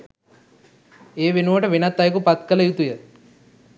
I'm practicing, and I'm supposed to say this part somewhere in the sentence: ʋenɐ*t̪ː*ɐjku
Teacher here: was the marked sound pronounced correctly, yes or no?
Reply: yes